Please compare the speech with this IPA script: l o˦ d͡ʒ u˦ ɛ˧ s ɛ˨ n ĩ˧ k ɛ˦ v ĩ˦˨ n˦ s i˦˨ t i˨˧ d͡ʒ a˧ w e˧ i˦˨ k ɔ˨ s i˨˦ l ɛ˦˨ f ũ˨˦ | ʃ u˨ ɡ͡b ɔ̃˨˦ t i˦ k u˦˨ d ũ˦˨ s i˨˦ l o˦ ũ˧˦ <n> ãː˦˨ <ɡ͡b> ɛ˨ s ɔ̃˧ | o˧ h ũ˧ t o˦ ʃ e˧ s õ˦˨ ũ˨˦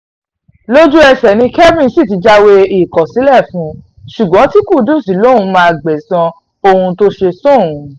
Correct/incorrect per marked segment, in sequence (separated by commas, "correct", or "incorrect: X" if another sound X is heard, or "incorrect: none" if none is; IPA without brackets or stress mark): incorrect: m, correct